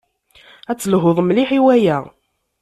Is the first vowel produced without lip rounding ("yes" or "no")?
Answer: yes